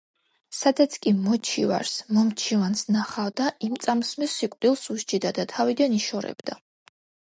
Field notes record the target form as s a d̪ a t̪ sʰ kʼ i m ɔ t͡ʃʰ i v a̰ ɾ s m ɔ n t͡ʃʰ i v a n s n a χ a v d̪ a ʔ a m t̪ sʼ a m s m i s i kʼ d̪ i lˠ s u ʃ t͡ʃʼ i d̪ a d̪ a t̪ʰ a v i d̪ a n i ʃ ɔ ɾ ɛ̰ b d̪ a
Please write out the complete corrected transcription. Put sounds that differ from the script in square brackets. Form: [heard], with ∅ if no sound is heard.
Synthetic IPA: s a d̪ a t̪ sʰ kʼ i m ɔ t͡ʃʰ i v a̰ ɾ s m ɔ [m] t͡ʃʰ i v a n s n a χ a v d̪ a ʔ [i] m t̪ sʼ a m s m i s i kʼ d̪ i lˠ s u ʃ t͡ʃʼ i d̪ a d̪ a t̪ʰ a v i d̪ a n i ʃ ɔ ɾ ɛ̰ b d̪ a